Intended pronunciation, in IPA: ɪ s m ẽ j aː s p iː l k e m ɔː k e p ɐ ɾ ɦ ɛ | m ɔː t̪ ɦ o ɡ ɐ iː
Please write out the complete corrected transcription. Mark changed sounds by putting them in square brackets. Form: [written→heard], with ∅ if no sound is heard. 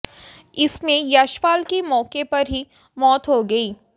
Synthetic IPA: ɪ s m ẽ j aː [s→ʃ] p [iː→aː] l k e m ɔː k e p ɐ ɾ ɦ [ɛ→i] | m ɔː t̪ ɦ o ɡ ɐ iː